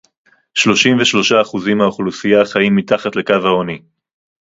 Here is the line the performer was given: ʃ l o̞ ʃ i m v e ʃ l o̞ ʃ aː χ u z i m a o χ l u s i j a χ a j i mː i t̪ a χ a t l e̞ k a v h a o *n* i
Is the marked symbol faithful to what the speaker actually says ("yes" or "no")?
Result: yes